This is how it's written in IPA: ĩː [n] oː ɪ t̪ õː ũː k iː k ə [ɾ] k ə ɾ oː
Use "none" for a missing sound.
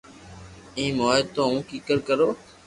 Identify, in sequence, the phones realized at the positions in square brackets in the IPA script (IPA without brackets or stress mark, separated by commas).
m, ɾ